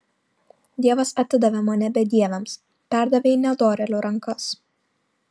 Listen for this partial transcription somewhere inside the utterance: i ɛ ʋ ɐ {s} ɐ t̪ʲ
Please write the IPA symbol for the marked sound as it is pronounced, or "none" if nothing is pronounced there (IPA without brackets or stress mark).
s